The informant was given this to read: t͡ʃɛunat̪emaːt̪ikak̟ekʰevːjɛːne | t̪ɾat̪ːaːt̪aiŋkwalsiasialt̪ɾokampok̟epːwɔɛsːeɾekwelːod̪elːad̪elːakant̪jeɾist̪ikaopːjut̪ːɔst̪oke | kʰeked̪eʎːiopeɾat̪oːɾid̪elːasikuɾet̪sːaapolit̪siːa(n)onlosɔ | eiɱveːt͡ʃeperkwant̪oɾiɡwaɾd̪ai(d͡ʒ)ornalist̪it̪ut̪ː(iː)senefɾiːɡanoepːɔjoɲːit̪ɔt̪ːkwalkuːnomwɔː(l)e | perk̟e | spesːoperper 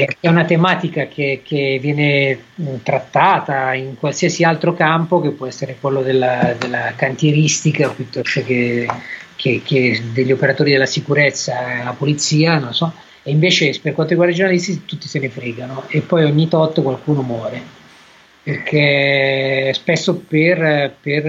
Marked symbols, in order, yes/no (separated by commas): yes, yes, no, no